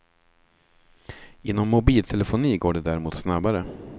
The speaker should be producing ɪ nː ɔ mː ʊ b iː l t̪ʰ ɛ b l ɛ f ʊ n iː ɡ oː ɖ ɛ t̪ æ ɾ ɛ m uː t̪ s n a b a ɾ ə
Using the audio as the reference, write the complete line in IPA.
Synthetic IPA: ɪ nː ɔ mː ʊ b iː l t̪ʰ ɛ l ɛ f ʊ n iː ɡ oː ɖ ɛ d̪ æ ɾ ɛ m uː t̪ s n a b a ɾ ə

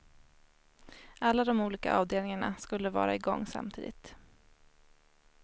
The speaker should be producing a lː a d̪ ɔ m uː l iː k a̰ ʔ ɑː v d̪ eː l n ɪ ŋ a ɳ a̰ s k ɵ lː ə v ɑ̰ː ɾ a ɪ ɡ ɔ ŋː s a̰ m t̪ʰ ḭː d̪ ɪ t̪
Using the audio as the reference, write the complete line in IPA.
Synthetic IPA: a lː a d̪ ɔ m uː l iː k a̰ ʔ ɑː v d̪ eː l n ɪ ŋ a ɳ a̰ s k ɵ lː ə v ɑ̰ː ɾ a ɪ ɡ ɔ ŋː s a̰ m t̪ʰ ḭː d̪ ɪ t̪

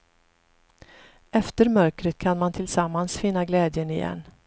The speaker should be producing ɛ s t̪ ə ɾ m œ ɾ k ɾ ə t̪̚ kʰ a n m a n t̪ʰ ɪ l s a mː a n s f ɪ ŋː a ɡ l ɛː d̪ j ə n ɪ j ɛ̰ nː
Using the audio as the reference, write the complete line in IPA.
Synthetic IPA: ɛ f t̪ ə ɾ m œ ɾ k ɾ ə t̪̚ kʰ a n m a n t̪ʰ ɪ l s a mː a n s f ɪ nː a ɡ l ɛː d̪ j ə n ɪ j ɛ̰ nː

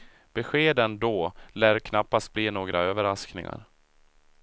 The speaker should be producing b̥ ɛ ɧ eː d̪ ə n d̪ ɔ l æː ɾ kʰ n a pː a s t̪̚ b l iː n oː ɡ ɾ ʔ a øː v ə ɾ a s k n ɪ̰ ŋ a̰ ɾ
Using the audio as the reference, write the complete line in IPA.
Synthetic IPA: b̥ ɛ ɧ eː d̪ ə n d̪ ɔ l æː ɾ kʰ n a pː a s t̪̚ b l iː n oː ɡ ɾ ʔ a øː v ə ɾ a s k n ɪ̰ ŋ a̰ ɾ

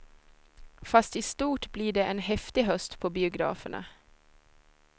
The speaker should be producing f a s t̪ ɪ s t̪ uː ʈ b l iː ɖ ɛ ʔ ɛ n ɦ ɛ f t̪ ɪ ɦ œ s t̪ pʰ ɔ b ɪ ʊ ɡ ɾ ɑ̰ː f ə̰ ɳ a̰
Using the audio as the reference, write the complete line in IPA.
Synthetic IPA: f a s t̪ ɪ s t̪ uː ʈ b l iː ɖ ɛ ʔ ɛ n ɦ ɛ f t̪ ɪ ɦ œ s t̪ pʰ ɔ b ɪ ʊ ɡ ɾ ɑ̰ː f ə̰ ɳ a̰

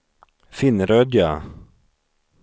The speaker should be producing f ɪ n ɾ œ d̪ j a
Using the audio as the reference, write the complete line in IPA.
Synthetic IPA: f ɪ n ɾ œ d̪ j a

